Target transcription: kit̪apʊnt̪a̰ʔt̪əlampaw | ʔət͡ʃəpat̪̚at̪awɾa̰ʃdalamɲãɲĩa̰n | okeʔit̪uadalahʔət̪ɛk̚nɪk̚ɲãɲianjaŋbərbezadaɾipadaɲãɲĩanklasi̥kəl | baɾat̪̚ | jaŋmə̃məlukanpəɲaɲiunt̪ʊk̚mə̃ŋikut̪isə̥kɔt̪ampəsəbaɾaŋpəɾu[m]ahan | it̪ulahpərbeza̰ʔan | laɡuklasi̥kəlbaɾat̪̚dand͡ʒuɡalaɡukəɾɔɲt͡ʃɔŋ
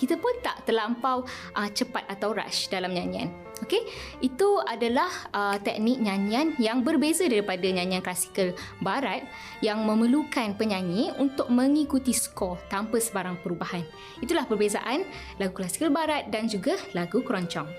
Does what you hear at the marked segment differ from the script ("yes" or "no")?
yes